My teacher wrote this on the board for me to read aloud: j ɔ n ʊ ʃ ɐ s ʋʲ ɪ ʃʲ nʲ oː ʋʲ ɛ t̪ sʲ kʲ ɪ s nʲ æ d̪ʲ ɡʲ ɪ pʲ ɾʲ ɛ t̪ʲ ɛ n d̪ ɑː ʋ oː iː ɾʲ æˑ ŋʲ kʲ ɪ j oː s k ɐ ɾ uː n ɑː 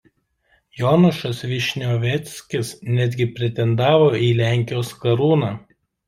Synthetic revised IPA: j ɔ n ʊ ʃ ɐ s ʋʲ ɪ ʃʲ nʲ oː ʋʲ ɛ t̪ sʲ kʲ ɪ s nʲ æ d̪ʲ ɡʲ ɪ pʲ ɾʲ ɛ t̪ʲ ɛ n d̪ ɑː ʋ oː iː lʲ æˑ ŋʲ kʲ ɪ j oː s k ɐ ɾ uː n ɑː

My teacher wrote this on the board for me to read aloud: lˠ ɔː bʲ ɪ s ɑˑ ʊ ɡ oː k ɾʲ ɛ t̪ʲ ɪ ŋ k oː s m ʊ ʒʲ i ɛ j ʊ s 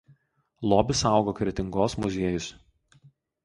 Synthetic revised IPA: lˠ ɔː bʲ ɪ s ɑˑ ʊ ɡ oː k ɾʲ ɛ t̪ʲ ɪ ŋ ɡ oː s m ʊ zʲ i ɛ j ʊ s

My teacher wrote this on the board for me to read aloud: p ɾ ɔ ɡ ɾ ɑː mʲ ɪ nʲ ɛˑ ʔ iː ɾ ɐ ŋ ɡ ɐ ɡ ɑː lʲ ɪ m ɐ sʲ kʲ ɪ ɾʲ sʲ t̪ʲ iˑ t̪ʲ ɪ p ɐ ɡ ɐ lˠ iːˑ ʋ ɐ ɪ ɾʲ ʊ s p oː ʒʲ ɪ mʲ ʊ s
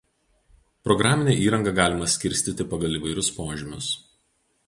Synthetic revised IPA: p ɾ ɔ ɡ ɾ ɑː mʲ ɪ nʲ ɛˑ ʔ iː ɾ ɐ ŋ ɡ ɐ ɡ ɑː lʲ ɪ m ɐ sʲ kʲ ɪ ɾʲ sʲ t̪ʲ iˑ t̪ʲ ɪ p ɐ ɡ ɐ lˠ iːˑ ʋ ɐ ɪ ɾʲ ʊ s p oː ʒʲ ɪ mʲ ʊ s

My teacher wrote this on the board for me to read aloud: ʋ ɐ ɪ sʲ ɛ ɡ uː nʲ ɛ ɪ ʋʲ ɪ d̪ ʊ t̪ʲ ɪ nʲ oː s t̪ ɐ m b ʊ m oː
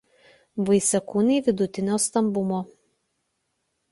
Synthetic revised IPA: ʋ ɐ ɪ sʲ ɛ k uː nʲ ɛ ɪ ʋʲ ɪ d̪ ʊ t̪ʲ ɪ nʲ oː s t̪ ɐ m b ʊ m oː

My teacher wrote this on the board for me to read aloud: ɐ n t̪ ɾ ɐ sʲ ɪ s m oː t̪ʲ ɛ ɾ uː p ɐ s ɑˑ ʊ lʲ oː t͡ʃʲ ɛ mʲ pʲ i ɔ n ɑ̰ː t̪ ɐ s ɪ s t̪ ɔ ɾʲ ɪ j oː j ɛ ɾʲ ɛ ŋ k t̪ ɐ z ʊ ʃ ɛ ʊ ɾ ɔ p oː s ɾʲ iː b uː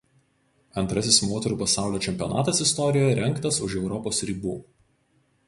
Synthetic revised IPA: ɐ n t̪ ɾ ɐ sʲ ɪ s m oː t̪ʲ ɛ ɾ uː p ɐ s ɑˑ ʊ lʲ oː t͡ʃʲ ɛ mʲ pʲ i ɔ n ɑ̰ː t̪ ɐ s ɪ s t̪ ɔ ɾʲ ɪ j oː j ɛ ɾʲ ɛ ŋ k t̪ ɐ s ʊ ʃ ɛ ʊ ɾ ɔ p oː s ɾʲ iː b uː

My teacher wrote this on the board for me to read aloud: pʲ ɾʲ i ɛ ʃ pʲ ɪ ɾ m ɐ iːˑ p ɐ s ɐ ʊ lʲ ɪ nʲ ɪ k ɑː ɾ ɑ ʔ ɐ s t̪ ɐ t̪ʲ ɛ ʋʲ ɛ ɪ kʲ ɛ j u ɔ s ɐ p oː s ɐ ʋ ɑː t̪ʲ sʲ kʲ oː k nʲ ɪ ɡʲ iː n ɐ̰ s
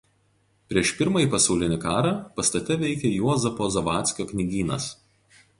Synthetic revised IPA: pʲ ɾʲ i ɛ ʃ pʲ ɪ ɾ m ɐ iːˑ p ɐ s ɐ ʊ lʲ ɪ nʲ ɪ k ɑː ɾ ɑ p ɐ s t̪ ɐ t̪ʲ ɛ ʋʲ ɛ ɪ kʲ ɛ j u ɔ z ɐ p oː z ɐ ʋ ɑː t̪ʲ sʲ kʲ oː k nʲ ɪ ɡʲ iː n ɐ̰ s

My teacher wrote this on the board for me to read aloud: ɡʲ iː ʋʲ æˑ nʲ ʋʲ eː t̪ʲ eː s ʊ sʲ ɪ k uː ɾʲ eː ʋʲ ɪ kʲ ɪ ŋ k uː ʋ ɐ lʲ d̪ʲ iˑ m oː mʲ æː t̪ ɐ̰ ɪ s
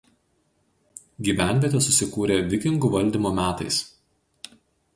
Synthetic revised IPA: ɡʲ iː ʋʲ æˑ nʲ ʋʲ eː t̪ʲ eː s ʊ sʲ ɪ k uː ɾʲ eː ʋʲ ɪ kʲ ɪ ŋ ɡ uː ʋ ɐ lʲ d̪ʲ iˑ m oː mʲ æː t̪ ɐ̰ ɪ s

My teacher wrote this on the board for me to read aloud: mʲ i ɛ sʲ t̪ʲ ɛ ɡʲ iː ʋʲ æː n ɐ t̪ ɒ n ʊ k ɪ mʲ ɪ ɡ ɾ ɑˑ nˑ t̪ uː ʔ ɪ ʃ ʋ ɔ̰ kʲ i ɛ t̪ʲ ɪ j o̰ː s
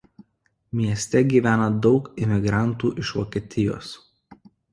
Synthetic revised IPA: mʲ i ɛ sʲ t̪ʲ ɛ ɡʲ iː ʋʲ æː n ɐ d̪ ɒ ʊ k ɪ mʲ ɪ ɡ ɾ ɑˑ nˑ t̪ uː ʔ ɪ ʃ ʋ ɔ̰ kʲ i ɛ t̪ʲ ɪ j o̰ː s

